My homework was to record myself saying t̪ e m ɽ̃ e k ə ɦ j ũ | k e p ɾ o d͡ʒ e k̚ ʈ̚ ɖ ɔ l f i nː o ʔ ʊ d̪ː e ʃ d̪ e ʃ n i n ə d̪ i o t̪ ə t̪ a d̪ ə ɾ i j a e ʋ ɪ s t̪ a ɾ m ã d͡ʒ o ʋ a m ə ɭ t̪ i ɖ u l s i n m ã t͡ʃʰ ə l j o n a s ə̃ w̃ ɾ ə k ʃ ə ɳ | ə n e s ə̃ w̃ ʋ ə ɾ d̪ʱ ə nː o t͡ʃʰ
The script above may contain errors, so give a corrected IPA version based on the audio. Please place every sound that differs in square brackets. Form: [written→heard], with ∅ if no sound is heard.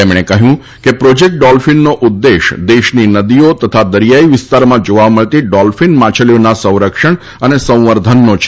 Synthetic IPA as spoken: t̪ e m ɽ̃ e k ə ɦ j ũ | k e p ɾ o d͡ʒ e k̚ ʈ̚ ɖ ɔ l f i nː o ʔ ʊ d̪ː e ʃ d̪ e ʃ n i n ə d̪ i o t̪ ə [t̪→t̪ʰ] a d̪ ə ɾ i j a [e→i] ʋ ɪ s t̪ a ɾ m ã d͡ʒ o ʋ a m ə ɭ t̪ i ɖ [u→ɔ] l [s→f] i n m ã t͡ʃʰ ə l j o n a s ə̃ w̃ ɾ ə k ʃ ə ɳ | ə n e s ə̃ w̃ ʋ ə ɾ d̪ʱ ə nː o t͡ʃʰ